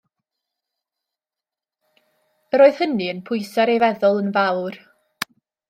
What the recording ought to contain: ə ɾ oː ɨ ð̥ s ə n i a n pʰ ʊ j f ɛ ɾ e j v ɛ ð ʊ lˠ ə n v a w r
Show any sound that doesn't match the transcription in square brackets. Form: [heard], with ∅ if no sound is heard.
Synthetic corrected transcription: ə ɾ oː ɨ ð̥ [h] ə n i [ə] n pʰ ʊ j [s] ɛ ɾ e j v ɛ ð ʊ lˠ ə n v a w r